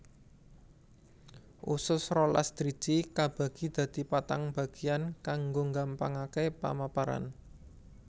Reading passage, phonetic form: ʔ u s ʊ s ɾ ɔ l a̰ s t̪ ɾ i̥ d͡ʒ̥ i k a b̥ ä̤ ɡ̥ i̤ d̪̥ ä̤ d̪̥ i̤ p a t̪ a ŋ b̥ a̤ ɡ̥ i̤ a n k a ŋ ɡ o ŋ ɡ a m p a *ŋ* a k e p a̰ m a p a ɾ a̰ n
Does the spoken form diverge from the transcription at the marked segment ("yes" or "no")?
no